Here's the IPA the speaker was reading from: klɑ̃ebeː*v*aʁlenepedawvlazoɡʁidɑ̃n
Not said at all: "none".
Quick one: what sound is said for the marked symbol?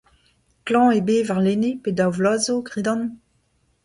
v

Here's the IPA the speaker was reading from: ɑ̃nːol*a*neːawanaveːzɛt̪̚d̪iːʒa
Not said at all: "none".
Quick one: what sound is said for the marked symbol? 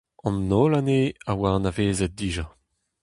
a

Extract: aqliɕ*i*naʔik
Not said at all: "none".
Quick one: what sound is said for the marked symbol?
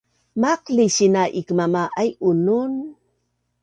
i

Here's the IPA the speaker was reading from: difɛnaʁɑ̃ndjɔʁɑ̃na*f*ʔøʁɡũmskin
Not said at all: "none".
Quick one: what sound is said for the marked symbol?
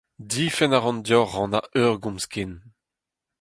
none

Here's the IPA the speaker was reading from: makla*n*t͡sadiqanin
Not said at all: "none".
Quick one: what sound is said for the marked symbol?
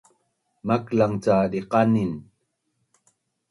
ŋ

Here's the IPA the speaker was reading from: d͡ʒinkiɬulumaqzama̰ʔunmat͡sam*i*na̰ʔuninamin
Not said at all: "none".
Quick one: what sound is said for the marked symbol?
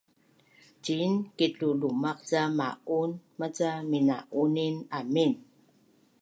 i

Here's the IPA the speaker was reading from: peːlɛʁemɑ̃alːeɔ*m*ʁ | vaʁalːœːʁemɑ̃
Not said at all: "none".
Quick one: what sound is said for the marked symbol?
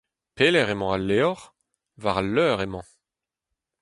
none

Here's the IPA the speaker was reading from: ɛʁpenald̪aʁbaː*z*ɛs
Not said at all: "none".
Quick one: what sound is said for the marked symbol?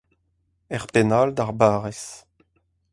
ʁ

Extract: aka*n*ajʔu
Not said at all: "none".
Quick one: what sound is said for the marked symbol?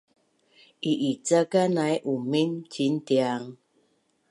n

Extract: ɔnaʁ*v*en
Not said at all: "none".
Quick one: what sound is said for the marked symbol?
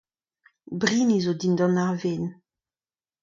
v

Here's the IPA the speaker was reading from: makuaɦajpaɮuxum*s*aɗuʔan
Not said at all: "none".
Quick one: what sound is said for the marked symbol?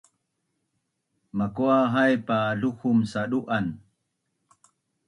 s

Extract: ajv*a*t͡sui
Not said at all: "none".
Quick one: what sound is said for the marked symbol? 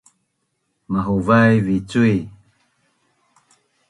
i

